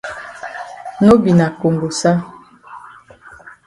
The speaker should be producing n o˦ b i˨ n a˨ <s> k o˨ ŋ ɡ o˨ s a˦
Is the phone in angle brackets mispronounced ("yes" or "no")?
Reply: yes